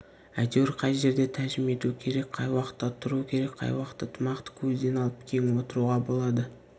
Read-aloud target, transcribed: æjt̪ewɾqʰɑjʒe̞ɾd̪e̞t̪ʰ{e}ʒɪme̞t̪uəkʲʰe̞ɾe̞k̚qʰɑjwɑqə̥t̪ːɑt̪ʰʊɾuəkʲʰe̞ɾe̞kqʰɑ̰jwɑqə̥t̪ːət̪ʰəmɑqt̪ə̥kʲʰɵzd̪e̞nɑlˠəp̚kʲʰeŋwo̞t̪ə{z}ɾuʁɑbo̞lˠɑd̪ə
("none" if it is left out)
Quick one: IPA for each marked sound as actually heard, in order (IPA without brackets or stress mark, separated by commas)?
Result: æ, none